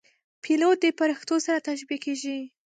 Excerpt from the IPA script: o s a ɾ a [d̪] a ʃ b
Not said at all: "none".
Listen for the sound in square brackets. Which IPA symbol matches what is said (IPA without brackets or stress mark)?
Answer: t̪